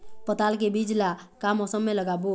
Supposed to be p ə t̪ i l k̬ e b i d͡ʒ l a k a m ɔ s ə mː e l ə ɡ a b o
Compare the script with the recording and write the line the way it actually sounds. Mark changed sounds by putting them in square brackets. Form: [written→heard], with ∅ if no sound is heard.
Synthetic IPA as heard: p ə t̪ [i→a] l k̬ e b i d͡ʒ l a k a m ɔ s ə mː e l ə ɡ a b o